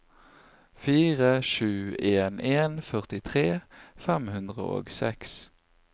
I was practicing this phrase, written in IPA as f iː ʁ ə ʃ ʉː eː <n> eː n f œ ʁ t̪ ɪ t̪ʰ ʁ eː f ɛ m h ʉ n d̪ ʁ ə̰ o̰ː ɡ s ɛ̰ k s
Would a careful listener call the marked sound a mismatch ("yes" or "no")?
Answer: no